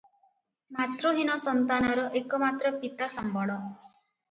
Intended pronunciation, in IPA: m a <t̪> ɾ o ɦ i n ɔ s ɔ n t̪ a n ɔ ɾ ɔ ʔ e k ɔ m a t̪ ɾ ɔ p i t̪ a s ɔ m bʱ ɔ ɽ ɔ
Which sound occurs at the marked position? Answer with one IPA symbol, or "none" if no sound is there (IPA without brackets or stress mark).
t̪